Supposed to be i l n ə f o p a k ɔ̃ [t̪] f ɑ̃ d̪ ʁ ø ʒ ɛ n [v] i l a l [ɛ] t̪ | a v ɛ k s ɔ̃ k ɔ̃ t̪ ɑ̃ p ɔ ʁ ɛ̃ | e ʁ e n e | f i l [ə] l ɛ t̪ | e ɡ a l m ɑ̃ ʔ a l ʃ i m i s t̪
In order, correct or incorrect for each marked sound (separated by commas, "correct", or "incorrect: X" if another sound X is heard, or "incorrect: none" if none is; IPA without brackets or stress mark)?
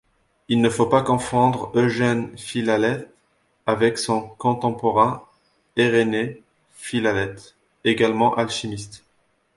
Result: incorrect: none, incorrect: f, correct, incorrect: a